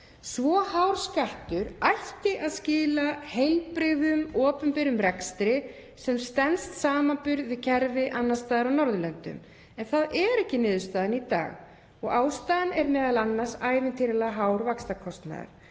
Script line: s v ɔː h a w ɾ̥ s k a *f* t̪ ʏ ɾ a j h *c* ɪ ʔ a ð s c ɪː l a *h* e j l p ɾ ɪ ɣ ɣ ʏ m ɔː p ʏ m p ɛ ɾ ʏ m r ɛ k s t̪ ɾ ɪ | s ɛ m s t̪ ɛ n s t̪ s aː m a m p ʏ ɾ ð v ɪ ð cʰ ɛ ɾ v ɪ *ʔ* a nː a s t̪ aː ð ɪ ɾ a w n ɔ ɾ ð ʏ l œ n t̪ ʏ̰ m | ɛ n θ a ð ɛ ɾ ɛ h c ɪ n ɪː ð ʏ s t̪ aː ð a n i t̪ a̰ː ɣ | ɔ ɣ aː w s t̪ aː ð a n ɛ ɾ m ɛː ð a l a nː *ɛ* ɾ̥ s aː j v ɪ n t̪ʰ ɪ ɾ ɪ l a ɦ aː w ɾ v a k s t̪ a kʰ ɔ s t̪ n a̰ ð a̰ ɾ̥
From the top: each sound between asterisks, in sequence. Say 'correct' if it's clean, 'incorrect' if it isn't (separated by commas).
incorrect, correct, correct, correct, incorrect